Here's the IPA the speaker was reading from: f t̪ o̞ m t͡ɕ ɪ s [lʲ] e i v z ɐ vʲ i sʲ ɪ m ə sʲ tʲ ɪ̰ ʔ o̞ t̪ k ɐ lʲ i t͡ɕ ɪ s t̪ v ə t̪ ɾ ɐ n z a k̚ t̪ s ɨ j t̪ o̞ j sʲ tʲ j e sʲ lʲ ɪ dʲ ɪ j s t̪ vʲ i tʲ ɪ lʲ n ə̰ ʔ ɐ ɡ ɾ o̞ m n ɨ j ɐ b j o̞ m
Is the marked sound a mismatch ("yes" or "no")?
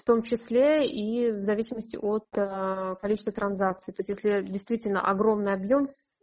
no